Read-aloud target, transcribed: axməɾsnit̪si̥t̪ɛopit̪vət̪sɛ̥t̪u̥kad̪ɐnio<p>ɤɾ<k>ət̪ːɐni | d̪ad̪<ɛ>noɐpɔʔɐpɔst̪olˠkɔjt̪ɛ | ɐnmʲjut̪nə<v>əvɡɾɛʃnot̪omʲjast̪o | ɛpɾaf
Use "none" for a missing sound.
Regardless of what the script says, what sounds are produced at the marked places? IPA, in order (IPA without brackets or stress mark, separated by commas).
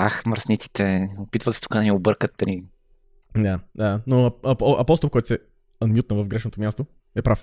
b, k, a, v